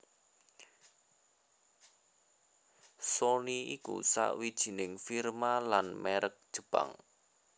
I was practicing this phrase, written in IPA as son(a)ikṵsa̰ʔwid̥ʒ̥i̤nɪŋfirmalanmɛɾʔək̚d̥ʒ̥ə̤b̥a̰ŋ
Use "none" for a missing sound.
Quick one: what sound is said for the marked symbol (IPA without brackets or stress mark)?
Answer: i